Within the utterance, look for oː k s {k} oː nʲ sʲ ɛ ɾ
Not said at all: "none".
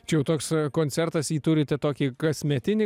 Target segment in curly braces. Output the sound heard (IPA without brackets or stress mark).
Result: k